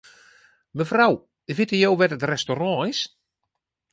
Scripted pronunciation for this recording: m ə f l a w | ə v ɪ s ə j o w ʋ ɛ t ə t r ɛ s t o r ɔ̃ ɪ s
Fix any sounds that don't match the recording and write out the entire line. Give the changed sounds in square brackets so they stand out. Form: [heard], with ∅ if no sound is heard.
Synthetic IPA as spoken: m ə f [r] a w | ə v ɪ [t] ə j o w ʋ ɛ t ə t r ɛ s t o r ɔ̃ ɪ s